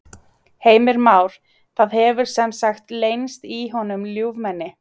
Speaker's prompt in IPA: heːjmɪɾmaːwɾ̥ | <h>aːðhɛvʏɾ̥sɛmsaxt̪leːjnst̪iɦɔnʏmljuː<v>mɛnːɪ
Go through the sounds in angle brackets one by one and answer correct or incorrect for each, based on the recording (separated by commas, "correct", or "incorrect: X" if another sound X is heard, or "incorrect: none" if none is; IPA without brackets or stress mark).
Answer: incorrect: θ, correct